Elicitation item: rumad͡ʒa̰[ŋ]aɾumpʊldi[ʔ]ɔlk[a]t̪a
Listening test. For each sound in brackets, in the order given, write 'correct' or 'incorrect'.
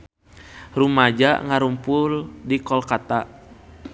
correct, incorrect, correct

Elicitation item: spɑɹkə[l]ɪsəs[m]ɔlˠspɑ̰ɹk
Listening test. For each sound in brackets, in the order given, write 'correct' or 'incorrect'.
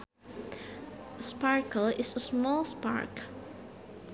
correct, correct

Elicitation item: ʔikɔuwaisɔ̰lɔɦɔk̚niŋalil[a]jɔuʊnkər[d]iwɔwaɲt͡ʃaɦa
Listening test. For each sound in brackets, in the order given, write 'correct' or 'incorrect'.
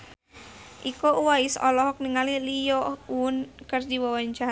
incorrect, incorrect

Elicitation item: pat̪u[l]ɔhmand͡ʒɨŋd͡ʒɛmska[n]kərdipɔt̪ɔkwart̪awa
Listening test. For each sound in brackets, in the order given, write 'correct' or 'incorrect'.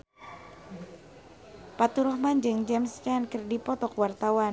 incorrect, correct

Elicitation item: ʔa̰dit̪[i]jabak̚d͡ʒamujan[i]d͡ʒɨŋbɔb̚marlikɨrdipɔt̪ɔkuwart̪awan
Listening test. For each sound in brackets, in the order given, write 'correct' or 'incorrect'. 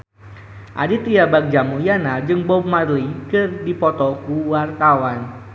correct, incorrect

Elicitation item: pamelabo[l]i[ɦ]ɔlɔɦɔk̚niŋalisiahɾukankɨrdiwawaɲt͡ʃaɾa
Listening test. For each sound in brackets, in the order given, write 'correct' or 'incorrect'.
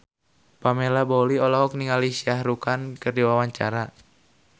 correct, incorrect

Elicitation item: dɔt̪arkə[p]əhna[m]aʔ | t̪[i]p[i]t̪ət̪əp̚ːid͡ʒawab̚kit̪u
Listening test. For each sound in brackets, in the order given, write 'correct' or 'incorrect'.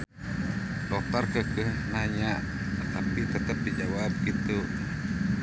incorrect, incorrect, incorrect, correct

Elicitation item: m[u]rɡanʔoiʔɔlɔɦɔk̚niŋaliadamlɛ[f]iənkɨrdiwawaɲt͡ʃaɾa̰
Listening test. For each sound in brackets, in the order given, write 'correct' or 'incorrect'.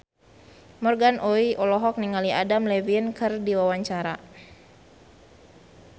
incorrect, incorrect

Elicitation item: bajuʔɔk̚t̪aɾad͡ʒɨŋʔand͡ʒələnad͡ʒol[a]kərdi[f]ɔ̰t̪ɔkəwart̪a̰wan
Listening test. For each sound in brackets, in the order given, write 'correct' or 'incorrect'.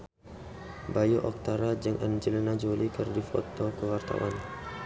incorrect, correct

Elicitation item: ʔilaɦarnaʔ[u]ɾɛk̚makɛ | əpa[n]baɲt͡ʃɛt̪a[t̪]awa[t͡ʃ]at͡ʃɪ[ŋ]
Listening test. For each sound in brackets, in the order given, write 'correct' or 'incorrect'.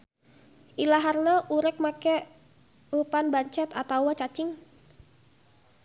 correct, correct, correct, correct, correct

